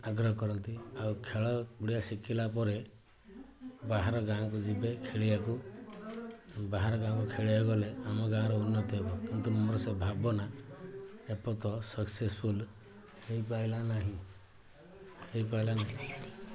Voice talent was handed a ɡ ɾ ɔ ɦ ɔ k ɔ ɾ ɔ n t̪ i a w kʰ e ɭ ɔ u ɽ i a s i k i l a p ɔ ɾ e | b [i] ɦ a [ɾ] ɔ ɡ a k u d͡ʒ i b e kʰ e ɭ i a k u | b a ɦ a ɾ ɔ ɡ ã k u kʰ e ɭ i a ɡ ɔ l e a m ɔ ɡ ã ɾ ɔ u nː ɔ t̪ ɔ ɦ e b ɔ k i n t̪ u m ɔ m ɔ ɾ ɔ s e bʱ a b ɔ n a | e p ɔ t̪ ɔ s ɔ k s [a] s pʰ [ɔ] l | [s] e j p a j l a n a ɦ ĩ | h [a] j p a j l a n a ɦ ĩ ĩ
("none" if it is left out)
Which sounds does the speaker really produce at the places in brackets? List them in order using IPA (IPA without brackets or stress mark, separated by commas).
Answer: a, ɾ, e, u, h, e